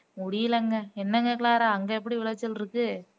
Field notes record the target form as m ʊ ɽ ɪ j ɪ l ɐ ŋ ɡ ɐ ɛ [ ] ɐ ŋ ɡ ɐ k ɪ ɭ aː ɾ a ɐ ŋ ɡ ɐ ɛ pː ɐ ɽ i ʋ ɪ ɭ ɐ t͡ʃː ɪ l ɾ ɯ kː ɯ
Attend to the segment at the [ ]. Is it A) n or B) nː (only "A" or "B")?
B